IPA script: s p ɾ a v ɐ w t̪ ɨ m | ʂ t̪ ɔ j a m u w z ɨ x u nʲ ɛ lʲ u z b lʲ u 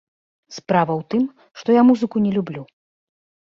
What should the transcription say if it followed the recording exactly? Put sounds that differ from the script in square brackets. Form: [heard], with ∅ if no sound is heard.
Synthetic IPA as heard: s p ɾ a v ɐ w t̪ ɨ m | ʂ t̪ ɔ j a m u [∅] z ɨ [k] u nʲ ɛ lʲ u [∅] b lʲ u